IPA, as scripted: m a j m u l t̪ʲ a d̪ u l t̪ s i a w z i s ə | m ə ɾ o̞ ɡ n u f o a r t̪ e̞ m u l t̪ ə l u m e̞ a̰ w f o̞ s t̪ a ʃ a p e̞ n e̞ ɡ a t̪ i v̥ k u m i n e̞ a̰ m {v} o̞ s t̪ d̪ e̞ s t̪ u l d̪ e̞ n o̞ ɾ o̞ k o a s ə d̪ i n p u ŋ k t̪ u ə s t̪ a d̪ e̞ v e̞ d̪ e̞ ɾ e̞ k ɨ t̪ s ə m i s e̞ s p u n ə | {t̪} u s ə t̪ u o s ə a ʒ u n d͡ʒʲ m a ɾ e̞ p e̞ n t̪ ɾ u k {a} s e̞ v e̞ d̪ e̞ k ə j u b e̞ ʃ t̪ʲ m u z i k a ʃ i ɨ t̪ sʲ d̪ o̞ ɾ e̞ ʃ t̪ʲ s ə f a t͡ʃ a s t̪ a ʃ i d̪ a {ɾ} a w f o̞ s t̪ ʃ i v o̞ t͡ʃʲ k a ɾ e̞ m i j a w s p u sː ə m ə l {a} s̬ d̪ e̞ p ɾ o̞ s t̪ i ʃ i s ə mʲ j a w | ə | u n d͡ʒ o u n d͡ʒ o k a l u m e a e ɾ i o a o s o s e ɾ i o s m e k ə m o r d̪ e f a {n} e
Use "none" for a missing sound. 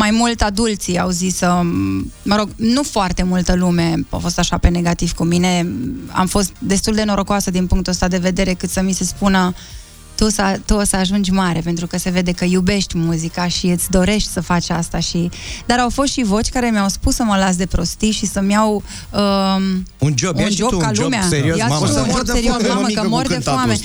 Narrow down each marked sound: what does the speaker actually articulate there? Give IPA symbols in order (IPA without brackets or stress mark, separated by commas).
f, t̪, ə, ɾ, a, m